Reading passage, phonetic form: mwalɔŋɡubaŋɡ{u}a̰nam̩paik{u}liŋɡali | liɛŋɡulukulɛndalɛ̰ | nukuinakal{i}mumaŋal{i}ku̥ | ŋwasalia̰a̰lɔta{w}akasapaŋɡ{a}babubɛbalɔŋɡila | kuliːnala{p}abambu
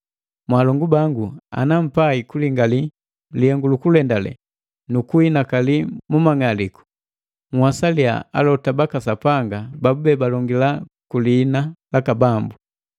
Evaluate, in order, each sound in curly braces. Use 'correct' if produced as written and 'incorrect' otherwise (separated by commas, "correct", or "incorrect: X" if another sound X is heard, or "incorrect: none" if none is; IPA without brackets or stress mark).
correct, correct, correct, correct, incorrect: b, correct, incorrect: k